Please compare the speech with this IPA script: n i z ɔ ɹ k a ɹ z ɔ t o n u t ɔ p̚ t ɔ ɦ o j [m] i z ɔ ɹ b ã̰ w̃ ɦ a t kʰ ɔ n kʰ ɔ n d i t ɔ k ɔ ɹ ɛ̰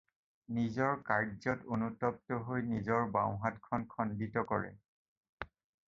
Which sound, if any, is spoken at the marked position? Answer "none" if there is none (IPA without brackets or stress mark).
n